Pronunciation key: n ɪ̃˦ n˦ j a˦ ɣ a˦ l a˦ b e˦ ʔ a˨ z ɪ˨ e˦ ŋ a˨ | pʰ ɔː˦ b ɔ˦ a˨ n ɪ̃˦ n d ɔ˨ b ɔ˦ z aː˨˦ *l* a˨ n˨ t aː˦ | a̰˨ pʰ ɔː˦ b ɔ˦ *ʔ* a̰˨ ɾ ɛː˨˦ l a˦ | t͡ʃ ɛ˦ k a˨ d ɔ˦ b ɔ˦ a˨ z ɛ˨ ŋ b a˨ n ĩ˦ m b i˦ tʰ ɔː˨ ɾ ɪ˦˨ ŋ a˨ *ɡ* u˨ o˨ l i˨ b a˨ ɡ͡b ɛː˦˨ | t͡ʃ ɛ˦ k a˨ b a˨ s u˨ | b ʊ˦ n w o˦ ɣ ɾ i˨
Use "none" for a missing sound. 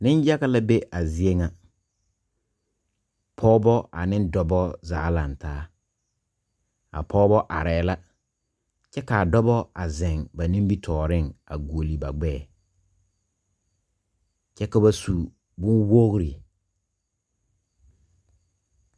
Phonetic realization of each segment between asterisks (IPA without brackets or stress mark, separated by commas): l, ʔ, ɡ